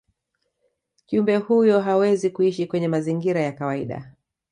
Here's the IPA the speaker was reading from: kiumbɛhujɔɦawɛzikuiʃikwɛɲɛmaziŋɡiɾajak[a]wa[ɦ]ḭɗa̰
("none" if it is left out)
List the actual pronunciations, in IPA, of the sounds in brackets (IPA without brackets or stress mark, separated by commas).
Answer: a, none